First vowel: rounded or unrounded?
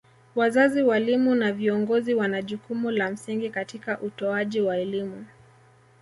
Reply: unrounded